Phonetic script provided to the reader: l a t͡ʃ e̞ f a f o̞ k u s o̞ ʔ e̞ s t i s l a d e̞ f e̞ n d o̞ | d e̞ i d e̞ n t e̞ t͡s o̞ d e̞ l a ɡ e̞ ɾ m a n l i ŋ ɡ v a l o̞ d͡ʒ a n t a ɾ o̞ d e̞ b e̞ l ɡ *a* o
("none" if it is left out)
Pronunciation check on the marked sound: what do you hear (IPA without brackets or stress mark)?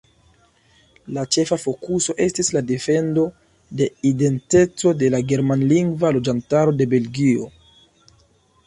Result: i